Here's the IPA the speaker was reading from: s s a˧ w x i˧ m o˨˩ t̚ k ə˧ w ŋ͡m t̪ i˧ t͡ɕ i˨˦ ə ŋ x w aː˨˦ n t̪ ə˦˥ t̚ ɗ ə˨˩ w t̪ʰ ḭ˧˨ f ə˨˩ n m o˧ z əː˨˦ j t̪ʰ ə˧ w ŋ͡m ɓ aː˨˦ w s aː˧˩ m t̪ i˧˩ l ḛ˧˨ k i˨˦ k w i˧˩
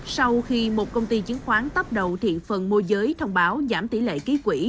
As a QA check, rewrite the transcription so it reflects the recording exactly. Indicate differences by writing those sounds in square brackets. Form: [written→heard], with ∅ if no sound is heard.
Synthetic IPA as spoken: s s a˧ w x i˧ m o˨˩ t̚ k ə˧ w ŋ͡m t̪ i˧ t͡ɕ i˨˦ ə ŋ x w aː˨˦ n t̪ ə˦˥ [t̚→p̚] ɗ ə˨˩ w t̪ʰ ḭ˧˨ f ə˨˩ n m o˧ z əː˨˦ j t̪ʰ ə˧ w ŋ͡m ɓ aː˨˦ w [s→z] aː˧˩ m t̪ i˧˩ l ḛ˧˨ k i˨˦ k w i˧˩

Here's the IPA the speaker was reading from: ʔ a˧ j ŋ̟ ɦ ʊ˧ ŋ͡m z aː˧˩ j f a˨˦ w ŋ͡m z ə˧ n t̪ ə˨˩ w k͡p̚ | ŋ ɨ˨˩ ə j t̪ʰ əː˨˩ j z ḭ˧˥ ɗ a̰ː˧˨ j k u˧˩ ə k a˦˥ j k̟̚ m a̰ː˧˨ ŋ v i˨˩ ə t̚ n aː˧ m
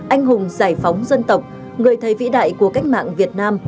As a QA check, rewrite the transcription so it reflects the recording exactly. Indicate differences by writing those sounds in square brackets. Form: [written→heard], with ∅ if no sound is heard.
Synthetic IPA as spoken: ʔ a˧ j ŋ̟ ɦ [ʊ˧→ʊ˨˩] ŋ͡m z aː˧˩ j f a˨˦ w ŋ͡m z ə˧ n t̪ ə˨˩ w k͡p̚ | ŋ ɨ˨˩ ə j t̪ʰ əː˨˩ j [z→v] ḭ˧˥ ɗ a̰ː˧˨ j k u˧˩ ə k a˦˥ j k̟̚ m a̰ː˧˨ ŋ v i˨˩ ə t̚ n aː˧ m

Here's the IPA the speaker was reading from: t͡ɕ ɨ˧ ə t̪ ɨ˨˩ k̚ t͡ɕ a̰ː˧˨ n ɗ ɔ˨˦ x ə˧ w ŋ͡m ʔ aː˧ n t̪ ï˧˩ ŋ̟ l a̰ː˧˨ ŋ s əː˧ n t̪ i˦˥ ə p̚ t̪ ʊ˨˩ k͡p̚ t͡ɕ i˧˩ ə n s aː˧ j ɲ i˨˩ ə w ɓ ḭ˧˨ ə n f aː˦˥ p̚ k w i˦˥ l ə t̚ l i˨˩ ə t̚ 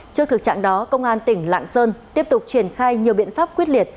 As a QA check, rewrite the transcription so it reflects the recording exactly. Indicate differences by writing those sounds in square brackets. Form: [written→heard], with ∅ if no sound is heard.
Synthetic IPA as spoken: t͡ɕ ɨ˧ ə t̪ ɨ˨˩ k̚ t͡ɕ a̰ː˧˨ [n→ŋ] ɗ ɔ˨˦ [x→k] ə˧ w ŋ͡m ʔ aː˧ n t̪ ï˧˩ ŋ̟ l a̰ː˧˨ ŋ s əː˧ n t̪ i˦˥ ə p̚ t̪ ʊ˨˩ k͡p̚ t͡ɕ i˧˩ ə n [s→x] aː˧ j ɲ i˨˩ ə w ɓ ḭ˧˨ ə n f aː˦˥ p̚ k w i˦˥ [l→∅] ə t̚ l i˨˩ ə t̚

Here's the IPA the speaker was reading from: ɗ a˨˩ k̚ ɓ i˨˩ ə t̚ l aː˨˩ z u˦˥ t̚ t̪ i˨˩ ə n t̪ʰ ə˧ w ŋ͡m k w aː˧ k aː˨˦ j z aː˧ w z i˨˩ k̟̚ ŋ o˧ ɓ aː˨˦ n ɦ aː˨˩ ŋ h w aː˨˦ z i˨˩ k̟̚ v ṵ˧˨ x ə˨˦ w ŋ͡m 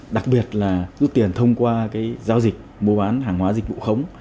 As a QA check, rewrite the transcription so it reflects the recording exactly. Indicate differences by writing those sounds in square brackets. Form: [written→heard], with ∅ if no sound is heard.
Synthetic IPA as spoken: ɗ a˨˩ k̚ ɓ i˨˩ ə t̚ l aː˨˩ z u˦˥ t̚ t̪ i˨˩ ə n t̪ʰ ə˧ w ŋ͡m k w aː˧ k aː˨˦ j z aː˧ w z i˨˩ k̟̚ [ŋ→m] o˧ ɓ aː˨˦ n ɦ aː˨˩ ŋ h w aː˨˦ z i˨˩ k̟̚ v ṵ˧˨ x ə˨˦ w ŋ͡m

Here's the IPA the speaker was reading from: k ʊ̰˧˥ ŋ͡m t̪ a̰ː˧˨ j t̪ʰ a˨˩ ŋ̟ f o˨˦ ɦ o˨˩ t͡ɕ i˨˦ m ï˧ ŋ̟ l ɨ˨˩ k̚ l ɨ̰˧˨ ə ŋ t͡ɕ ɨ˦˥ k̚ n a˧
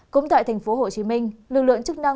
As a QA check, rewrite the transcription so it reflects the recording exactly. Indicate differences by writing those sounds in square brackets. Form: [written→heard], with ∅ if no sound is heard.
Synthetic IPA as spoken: k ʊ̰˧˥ ŋ͡m t̪ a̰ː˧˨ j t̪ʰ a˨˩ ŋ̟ f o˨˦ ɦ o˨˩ t͡ɕ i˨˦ m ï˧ ŋ̟ l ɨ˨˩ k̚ l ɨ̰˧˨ ə ŋ t͡ɕ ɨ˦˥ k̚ n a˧

